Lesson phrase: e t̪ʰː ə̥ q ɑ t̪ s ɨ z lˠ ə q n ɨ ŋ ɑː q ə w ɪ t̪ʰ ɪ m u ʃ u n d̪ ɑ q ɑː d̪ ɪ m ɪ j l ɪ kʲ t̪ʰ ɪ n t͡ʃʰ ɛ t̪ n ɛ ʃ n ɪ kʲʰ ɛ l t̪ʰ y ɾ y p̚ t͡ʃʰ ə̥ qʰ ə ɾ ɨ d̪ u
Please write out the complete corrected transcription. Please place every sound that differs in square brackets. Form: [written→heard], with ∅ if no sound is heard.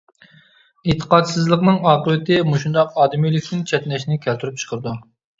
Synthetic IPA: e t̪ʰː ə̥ q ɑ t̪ s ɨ z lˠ ə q n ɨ ŋ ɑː q ə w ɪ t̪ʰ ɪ m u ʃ u n d̪ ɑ q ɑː d̪ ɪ m [ɪ→i] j l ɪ kʲ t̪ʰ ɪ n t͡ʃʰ ɛ t̪ n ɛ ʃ n ɪ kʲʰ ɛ l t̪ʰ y ɾ y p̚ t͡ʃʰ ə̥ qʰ ə ɾ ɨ d̪ u